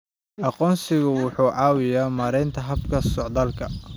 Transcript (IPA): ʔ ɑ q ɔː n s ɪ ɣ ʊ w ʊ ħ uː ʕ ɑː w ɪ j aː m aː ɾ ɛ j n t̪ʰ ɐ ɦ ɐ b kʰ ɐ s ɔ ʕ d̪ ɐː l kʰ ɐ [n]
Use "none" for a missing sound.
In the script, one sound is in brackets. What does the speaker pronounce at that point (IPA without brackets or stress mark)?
none